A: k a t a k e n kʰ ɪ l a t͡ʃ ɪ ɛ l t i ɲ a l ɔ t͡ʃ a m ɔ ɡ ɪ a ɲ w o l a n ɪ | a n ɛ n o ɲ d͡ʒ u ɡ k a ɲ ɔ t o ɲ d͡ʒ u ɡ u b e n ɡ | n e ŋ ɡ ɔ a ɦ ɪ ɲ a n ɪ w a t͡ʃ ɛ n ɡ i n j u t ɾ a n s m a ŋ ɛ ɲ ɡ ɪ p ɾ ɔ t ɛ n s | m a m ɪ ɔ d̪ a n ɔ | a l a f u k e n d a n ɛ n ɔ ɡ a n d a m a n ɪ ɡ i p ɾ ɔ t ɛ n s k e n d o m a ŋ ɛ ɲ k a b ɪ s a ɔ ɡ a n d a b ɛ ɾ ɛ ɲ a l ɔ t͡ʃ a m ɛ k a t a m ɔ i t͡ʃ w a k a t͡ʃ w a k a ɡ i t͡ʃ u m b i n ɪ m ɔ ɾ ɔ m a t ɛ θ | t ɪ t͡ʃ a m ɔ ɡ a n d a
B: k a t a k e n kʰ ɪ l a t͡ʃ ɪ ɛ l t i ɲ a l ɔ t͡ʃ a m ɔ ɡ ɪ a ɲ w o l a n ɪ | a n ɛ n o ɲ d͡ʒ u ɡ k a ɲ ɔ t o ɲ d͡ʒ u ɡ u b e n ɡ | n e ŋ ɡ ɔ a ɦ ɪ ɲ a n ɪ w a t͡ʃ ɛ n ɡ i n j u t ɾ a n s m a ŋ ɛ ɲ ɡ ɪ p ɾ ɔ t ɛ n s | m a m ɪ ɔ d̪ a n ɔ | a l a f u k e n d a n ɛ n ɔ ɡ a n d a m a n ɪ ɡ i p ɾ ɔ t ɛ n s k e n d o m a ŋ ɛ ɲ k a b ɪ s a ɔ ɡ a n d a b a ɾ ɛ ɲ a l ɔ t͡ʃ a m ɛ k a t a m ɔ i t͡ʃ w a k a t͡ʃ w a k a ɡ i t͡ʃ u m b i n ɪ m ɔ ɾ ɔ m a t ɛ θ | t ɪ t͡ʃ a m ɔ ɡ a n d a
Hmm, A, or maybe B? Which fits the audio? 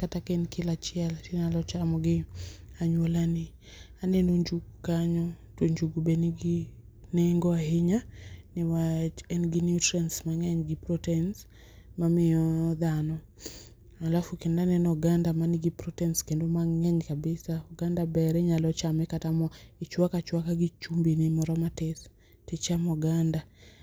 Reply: A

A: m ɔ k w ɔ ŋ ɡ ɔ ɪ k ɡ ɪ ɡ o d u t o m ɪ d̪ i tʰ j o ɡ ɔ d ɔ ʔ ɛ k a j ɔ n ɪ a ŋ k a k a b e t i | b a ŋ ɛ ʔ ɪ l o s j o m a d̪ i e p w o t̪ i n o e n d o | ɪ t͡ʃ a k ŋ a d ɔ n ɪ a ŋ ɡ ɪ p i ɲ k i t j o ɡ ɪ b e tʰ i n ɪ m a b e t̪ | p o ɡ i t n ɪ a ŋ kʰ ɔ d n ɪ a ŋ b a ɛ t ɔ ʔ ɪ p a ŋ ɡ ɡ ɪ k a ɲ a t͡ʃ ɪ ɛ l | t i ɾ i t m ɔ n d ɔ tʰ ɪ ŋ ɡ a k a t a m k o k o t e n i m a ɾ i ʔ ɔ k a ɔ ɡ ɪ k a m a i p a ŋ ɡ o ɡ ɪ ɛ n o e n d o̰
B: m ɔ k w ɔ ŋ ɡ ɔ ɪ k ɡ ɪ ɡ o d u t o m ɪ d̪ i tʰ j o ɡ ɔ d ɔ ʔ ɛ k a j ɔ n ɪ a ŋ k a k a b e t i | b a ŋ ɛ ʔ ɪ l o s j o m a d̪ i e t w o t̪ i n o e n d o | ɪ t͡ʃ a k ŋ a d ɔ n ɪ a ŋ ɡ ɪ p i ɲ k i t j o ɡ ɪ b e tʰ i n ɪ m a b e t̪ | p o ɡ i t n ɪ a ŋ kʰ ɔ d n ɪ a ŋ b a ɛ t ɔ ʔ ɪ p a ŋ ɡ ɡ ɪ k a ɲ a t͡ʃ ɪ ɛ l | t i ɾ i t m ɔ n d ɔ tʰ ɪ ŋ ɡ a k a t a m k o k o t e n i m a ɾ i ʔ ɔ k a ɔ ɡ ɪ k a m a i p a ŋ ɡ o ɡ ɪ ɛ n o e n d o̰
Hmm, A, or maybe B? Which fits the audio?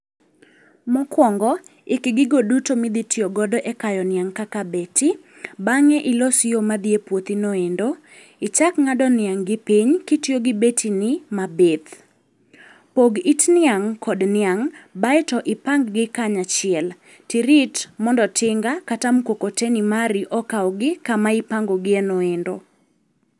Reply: A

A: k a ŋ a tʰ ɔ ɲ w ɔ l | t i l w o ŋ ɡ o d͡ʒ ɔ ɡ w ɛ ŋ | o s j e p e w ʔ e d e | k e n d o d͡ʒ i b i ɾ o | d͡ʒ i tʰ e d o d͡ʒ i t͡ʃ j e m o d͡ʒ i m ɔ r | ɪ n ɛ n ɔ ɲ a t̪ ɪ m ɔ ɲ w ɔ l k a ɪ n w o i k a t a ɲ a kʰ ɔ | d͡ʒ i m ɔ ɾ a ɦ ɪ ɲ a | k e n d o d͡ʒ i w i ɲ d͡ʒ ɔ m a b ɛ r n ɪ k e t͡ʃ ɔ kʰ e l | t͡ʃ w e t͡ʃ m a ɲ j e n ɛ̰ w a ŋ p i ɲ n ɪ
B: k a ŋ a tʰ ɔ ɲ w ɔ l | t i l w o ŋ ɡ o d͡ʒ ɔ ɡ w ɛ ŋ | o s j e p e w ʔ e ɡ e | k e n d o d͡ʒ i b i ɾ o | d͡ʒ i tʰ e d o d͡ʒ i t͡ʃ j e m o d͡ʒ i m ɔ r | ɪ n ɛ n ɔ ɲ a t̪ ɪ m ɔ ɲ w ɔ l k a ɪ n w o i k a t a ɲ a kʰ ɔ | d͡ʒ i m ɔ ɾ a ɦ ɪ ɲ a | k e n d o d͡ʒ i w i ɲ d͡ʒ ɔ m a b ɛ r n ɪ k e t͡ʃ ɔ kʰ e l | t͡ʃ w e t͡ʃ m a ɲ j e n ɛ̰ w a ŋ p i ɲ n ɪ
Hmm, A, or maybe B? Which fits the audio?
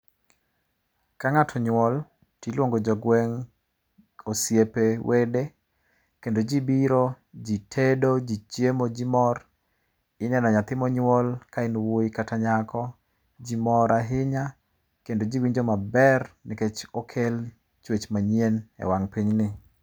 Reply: A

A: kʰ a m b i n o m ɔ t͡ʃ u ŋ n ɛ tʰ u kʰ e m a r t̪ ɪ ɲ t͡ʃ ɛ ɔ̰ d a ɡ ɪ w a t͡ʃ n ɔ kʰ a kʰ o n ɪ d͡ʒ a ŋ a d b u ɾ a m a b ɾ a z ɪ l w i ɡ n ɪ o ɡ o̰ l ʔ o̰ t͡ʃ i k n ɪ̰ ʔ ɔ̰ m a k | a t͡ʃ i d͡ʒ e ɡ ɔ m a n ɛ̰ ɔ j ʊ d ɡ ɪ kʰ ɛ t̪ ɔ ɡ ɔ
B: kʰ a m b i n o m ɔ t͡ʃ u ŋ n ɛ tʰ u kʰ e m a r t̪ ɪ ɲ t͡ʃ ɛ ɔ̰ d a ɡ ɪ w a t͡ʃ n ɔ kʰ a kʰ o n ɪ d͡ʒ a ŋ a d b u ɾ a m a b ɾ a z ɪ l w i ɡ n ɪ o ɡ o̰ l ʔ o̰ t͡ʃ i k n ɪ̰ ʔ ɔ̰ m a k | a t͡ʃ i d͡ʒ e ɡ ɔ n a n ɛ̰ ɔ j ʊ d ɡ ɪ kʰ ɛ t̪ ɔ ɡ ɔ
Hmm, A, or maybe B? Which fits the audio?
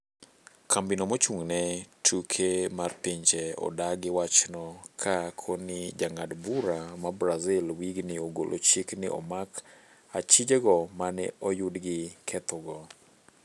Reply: A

